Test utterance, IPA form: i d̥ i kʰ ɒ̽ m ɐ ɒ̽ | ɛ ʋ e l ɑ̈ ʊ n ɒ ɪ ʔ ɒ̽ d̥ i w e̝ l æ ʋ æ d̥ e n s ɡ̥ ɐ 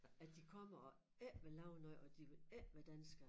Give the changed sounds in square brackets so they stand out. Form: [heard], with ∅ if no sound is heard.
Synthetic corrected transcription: [æ] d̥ i kʰ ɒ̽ m ɐ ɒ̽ | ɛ ʋ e l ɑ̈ ʊ n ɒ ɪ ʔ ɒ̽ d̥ i [ʋ] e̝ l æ ʋ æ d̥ [æ] n s ɡ̥ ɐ